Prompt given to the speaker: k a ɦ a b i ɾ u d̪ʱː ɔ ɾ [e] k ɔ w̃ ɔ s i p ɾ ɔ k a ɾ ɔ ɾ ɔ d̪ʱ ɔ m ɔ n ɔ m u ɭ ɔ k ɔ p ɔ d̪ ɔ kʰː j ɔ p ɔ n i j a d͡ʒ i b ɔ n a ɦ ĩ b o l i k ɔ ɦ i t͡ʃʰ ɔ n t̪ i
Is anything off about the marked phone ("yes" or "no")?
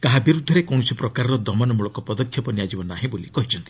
no